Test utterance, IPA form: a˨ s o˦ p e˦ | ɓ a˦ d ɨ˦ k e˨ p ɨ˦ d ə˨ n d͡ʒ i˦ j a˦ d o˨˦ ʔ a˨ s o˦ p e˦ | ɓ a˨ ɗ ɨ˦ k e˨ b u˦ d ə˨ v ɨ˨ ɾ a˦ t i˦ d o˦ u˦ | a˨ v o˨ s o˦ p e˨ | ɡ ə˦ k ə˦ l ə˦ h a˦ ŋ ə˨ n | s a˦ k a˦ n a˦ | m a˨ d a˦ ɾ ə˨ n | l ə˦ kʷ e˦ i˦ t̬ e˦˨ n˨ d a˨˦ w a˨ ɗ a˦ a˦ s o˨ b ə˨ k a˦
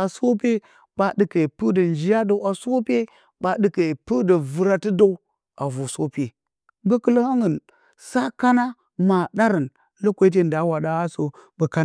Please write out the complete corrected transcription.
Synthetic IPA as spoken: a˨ s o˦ p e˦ | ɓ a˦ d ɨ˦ k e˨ p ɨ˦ d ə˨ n d͡ʒ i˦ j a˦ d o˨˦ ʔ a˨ s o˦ p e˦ | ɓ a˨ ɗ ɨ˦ k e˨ p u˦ d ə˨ v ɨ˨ ɾ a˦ t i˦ d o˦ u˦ | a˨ v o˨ s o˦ p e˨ | ɡ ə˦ k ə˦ l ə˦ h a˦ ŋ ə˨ n | s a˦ k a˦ n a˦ | m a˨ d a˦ ɾ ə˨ n | l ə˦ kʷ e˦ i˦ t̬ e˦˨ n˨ d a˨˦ w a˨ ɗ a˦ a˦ s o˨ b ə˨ k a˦